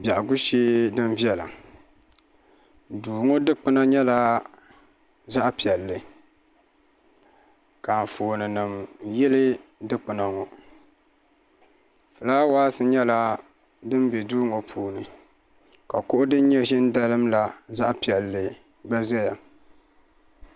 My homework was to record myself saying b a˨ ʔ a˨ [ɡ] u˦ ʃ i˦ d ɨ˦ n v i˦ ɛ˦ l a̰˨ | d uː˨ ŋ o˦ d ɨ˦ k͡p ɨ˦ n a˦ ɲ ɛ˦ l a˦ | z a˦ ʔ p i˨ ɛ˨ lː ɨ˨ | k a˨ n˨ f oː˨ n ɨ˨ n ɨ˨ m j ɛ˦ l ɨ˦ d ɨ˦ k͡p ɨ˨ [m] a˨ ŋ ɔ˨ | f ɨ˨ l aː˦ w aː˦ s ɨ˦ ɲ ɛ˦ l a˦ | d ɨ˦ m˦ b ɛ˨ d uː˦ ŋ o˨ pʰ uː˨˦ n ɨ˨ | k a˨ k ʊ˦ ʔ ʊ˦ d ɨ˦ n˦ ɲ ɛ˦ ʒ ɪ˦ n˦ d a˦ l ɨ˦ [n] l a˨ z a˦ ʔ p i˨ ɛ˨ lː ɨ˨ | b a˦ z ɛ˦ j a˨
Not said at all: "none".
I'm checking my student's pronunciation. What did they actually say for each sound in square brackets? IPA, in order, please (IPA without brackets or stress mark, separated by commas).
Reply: ɡ, n, m